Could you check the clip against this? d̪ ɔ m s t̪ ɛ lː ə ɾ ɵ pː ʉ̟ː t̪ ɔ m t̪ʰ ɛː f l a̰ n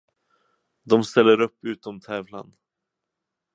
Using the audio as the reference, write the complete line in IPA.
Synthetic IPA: d̪ ɔ m s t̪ ɛ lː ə ɾ ɵ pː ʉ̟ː t̪ ɔ m t̪ʰ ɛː v l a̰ n